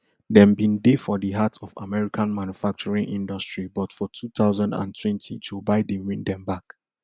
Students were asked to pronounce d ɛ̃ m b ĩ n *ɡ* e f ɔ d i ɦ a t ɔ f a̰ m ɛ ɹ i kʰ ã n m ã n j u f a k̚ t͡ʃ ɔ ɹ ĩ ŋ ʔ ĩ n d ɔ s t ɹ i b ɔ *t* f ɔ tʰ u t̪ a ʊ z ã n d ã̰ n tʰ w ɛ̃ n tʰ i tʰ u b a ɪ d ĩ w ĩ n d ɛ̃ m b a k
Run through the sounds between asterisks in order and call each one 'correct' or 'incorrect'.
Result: incorrect: d, correct

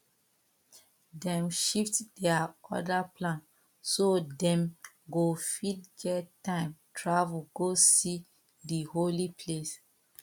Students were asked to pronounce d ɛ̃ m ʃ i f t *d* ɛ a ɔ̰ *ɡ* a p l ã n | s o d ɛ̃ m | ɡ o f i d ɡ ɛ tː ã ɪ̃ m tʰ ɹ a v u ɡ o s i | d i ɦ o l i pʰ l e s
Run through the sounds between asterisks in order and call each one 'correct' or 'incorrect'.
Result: correct, incorrect: d

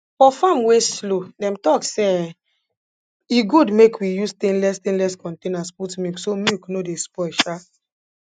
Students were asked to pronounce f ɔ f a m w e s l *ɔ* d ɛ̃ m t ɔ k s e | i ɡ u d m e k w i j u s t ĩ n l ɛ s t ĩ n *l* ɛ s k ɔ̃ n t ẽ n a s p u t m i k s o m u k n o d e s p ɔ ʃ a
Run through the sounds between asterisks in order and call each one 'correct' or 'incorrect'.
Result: incorrect: o, correct

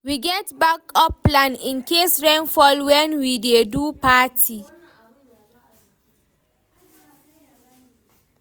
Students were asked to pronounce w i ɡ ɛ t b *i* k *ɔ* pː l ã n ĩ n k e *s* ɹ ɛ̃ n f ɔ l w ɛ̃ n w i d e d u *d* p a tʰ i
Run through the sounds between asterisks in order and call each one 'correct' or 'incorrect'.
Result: incorrect: a, correct, correct, incorrect: none

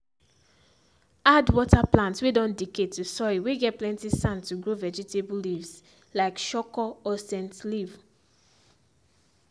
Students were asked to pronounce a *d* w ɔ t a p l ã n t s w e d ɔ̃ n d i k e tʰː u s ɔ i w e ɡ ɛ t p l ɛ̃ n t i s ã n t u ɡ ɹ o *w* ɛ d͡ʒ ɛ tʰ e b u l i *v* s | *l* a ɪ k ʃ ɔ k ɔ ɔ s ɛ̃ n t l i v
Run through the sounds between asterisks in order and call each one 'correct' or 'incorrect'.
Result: correct, incorrect: v, correct, correct

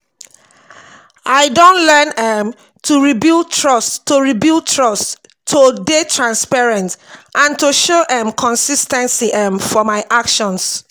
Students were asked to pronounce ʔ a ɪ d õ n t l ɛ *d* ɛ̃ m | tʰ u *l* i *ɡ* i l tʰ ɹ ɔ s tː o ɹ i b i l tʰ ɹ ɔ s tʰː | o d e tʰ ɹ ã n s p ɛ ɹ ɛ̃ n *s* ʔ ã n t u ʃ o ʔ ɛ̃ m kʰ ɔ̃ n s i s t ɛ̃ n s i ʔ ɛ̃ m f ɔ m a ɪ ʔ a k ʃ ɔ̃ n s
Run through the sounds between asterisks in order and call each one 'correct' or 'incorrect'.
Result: incorrect: n, incorrect: ɹ, incorrect: b, incorrect: t

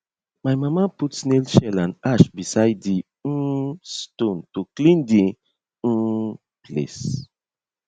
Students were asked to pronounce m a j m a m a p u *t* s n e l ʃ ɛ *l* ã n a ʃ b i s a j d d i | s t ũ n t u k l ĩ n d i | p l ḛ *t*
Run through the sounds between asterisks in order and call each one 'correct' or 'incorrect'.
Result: correct, correct, incorrect: s

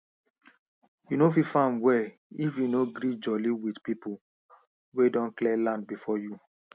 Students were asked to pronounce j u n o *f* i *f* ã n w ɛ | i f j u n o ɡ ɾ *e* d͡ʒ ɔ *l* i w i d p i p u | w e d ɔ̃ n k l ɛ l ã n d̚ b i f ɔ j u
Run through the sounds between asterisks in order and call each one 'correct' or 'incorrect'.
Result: correct, correct, incorrect: i, correct

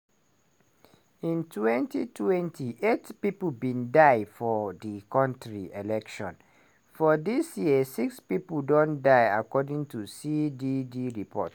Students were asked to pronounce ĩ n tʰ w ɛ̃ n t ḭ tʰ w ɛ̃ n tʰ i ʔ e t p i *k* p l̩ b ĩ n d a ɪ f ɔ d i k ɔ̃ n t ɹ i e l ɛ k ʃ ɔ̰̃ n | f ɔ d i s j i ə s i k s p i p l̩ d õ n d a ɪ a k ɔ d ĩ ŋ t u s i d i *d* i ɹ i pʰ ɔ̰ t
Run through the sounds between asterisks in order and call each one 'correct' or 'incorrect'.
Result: incorrect: none, correct

